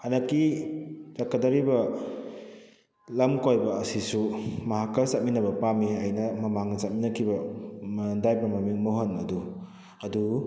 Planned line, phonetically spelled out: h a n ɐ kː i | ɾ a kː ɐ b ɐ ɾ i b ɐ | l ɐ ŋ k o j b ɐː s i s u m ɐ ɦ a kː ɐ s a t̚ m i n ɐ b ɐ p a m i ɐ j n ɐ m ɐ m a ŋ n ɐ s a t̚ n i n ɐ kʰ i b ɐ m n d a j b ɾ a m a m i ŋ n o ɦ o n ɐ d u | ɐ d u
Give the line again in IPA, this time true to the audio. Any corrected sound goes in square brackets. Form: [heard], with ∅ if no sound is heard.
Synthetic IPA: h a n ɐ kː i | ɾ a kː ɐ [d] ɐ ɾ i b ɐ | l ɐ [m] k o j b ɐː s i s u m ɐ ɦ a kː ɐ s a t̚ m i n ɐ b ɐ p a m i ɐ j n ɐ m ɐ m a ŋ n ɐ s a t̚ [m] i n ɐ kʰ i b ɐ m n d a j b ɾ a m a m i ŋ [m] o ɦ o n ɐ d u | ɐ d u